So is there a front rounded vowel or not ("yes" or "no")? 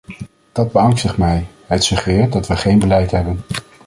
no